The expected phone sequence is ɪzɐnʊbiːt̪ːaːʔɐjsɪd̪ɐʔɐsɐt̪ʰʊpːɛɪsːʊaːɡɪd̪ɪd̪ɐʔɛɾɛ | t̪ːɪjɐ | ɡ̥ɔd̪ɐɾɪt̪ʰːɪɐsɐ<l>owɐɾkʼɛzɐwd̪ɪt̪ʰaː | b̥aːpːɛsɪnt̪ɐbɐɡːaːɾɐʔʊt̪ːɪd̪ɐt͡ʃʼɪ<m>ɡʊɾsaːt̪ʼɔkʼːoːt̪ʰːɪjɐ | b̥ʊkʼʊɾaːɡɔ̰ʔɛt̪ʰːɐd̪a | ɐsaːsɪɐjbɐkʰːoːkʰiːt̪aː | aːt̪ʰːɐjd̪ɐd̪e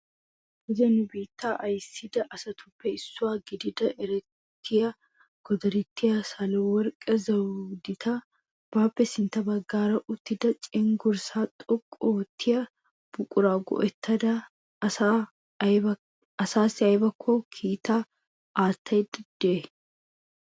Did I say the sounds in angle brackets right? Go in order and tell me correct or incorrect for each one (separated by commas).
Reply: correct, incorrect